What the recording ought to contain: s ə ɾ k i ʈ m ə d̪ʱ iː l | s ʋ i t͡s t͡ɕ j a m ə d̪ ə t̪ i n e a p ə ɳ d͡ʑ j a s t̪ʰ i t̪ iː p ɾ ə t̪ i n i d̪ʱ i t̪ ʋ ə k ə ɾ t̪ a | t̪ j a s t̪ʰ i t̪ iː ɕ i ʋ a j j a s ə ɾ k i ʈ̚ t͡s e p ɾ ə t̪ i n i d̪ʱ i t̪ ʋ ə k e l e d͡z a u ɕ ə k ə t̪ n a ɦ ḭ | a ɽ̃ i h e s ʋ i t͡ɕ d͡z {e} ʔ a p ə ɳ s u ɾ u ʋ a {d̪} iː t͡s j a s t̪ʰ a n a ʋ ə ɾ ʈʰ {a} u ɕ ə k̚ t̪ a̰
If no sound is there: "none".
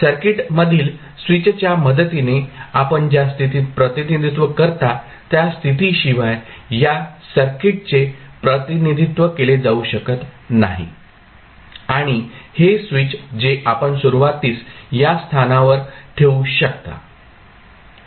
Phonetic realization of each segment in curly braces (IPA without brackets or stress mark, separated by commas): e, t̪, e